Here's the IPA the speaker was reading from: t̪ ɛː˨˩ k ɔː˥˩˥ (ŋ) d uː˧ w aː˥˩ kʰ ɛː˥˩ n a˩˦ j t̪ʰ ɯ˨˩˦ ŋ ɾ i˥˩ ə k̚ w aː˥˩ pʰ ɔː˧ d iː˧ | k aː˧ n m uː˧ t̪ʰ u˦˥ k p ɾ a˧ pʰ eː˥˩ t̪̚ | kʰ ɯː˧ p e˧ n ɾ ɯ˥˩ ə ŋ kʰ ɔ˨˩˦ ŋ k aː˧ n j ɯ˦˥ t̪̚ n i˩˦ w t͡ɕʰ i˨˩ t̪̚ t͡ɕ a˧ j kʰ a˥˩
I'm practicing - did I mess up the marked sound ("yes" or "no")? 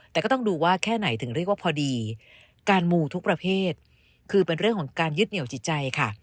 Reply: no